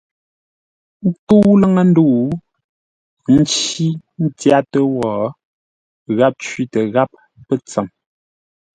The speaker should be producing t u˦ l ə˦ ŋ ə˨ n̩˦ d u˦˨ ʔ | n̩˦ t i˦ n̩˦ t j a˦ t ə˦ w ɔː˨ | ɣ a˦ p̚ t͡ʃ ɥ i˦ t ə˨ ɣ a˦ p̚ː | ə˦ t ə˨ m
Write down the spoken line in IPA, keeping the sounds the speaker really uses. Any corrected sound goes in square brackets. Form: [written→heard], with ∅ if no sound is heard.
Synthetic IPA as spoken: t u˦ l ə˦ ŋ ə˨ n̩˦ d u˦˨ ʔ | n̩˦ [t→t͡ʃ] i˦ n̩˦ t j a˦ t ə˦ w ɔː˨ | ɣ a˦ p̚ t͡ʃ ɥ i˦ t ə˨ ɣ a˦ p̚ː | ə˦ [t→t͡s] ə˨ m